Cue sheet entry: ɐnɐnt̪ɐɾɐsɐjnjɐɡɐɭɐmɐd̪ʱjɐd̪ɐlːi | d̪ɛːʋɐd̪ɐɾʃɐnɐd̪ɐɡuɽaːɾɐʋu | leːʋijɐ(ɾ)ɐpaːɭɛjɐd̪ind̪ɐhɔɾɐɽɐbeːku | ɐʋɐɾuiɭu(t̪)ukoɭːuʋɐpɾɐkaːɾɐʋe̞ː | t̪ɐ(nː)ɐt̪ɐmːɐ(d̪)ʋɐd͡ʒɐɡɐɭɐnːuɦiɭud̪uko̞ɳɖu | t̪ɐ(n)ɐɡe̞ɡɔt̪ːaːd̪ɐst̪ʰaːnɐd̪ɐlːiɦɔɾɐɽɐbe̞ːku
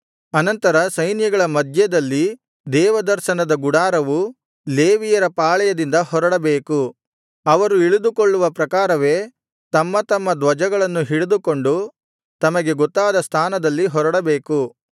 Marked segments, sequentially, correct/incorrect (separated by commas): correct, incorrect, incorrect, correct, incorrect